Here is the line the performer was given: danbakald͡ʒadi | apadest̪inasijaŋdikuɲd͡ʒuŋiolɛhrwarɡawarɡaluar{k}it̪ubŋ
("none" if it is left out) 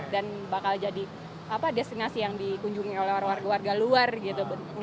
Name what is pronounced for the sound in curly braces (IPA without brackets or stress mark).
ɡ